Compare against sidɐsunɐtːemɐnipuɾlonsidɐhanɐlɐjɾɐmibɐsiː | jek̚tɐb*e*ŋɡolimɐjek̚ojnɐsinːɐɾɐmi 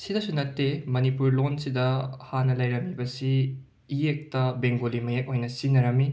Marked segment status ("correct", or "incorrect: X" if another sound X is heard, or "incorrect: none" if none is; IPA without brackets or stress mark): correct